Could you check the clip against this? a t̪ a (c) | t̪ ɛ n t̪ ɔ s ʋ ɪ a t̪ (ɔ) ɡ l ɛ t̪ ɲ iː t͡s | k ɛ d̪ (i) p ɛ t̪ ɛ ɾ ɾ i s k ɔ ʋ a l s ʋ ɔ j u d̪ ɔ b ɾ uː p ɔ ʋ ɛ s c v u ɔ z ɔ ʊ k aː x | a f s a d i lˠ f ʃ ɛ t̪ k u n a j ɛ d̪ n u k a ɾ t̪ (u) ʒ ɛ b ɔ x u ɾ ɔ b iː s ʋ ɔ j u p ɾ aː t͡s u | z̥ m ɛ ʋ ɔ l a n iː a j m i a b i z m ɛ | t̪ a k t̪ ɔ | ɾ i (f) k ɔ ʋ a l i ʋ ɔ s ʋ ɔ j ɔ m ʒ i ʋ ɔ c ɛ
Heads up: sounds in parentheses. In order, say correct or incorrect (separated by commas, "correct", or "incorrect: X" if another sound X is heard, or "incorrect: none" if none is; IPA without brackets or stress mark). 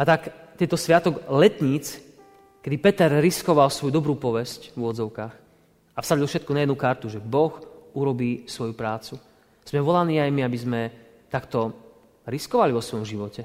incorrect: k, correct, correct, correct, incorrect: s